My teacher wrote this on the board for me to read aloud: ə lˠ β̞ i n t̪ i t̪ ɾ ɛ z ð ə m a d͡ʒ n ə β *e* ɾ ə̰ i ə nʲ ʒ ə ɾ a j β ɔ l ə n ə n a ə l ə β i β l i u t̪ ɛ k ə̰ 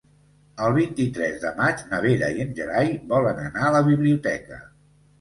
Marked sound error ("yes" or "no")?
no